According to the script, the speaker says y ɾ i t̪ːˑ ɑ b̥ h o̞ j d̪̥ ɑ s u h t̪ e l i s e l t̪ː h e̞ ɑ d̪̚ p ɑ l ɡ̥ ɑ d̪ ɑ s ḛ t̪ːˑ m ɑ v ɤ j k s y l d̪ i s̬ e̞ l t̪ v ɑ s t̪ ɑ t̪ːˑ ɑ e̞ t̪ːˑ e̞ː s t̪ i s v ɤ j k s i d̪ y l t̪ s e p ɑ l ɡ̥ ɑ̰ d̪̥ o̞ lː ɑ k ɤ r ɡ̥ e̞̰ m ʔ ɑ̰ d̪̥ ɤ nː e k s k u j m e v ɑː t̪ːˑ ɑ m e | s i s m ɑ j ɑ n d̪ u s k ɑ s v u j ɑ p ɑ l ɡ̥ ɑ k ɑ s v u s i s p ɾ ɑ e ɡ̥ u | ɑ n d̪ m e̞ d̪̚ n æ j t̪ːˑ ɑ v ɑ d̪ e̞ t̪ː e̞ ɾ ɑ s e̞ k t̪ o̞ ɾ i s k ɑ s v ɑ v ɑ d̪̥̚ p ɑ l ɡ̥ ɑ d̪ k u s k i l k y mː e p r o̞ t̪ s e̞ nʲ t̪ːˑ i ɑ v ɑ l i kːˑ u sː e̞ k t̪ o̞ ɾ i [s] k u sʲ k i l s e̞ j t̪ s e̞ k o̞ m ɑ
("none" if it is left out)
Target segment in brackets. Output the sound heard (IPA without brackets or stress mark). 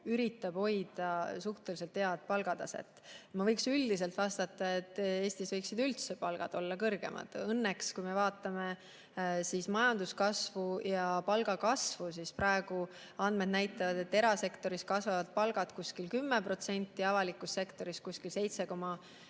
s